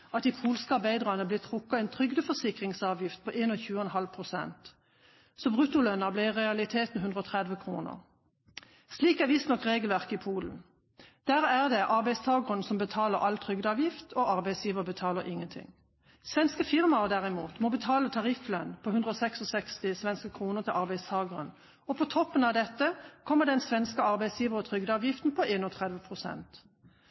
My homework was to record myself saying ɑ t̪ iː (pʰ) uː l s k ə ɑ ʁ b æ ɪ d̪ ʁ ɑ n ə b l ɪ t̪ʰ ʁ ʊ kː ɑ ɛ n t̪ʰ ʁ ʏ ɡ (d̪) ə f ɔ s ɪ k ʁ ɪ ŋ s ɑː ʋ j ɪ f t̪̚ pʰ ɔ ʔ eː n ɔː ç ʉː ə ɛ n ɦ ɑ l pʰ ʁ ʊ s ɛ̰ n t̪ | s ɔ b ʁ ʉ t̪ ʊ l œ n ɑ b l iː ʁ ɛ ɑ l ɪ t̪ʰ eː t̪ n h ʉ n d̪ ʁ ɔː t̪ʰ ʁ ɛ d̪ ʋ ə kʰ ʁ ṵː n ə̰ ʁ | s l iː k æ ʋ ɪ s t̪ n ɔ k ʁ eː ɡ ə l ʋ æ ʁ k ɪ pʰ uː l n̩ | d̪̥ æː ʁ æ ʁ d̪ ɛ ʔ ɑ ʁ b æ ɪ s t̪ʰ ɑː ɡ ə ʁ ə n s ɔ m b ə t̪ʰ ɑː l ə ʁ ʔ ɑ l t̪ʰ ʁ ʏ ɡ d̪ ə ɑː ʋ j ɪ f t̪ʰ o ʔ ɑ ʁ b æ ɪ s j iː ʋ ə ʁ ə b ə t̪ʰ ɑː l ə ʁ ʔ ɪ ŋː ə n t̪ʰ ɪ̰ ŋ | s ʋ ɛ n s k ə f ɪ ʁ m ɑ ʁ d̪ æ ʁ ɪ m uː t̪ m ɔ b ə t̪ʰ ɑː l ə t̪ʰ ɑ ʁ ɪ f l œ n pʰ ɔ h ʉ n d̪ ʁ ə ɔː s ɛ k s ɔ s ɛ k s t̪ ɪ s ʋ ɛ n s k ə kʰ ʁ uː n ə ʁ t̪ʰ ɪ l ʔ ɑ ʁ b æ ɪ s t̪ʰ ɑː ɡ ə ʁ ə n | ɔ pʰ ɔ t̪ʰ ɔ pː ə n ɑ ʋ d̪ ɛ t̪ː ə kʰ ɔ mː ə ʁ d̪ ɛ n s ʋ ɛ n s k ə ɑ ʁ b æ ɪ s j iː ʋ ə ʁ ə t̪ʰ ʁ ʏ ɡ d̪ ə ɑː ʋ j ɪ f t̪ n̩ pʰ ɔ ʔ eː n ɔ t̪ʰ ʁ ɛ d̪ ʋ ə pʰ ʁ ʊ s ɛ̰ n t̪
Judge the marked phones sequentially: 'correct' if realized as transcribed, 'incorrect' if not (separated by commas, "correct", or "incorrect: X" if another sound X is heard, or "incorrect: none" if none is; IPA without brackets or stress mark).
correct, correct